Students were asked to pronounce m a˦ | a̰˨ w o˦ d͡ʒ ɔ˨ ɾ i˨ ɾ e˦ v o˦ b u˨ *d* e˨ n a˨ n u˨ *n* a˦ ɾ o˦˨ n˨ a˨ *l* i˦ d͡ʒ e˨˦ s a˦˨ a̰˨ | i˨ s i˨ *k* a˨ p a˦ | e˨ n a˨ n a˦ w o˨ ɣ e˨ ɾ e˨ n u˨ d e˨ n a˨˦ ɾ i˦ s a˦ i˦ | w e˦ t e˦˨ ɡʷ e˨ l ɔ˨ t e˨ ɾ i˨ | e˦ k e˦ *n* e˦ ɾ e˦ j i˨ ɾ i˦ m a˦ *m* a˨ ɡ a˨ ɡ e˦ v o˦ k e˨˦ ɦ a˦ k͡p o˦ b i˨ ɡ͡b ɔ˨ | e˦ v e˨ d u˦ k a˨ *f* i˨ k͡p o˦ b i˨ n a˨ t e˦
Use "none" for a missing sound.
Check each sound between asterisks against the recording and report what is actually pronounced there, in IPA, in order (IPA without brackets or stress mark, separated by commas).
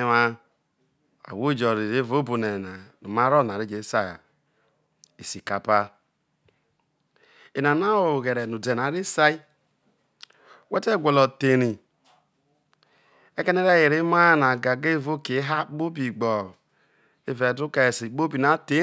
n, m, ɾ, k, n, n, s